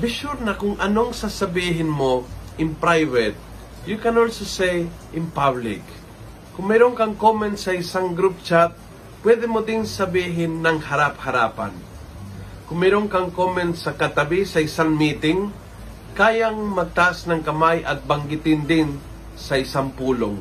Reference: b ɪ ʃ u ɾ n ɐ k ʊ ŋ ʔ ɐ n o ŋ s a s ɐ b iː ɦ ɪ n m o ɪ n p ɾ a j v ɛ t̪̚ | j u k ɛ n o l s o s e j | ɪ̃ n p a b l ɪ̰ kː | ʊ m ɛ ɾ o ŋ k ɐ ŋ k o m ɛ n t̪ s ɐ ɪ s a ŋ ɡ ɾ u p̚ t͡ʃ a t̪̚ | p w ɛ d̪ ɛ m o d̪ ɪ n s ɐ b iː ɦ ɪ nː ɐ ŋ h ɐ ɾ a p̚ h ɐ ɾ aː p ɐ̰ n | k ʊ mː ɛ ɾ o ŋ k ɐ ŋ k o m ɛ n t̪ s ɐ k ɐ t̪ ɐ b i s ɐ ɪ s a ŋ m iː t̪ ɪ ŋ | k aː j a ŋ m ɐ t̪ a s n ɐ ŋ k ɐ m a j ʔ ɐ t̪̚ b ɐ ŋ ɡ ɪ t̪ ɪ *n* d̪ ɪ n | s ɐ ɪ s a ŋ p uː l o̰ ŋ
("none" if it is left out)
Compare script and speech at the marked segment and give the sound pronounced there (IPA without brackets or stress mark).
n